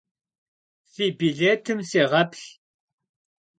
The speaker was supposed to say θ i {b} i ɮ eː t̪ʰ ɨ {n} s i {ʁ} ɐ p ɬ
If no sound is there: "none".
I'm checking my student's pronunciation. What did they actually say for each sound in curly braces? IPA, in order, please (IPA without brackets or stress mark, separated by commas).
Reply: b, m, ʁ